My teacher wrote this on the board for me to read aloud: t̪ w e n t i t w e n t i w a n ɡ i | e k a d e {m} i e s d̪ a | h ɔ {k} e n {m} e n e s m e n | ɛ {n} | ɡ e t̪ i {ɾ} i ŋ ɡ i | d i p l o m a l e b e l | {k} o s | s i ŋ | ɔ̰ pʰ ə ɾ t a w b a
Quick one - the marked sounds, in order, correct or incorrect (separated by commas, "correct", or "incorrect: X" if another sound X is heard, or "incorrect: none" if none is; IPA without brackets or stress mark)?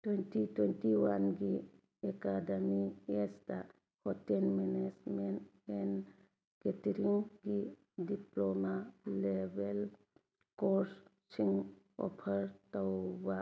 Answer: correct, incorrect: t, correct, correct, correct, correct